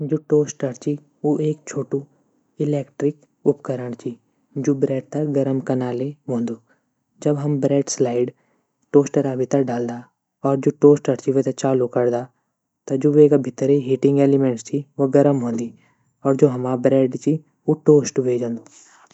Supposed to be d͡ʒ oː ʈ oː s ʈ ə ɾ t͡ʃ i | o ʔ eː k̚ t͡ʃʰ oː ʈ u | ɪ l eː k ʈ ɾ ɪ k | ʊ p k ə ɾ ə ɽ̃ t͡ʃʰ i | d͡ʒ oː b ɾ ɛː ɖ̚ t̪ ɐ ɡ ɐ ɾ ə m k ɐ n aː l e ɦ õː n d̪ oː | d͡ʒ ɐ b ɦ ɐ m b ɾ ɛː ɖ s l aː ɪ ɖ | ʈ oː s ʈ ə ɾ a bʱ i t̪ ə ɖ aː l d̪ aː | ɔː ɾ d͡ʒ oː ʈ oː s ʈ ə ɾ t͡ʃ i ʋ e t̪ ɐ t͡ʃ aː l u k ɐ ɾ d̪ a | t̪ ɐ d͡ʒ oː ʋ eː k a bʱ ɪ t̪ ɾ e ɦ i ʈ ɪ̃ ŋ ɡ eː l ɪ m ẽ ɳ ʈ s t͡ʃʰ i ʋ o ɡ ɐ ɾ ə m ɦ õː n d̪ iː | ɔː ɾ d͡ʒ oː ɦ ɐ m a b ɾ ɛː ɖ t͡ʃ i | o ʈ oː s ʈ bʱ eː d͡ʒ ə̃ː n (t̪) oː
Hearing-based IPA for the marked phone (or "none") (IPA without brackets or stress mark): d̪